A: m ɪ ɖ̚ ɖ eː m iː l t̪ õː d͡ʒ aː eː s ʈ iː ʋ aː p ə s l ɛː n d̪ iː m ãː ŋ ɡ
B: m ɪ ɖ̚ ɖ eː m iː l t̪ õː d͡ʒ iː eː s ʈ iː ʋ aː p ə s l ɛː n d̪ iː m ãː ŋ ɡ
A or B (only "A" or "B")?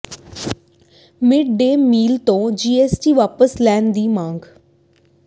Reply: B